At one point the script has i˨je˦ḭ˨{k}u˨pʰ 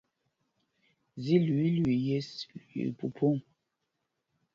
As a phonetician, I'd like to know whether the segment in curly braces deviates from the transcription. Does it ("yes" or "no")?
yes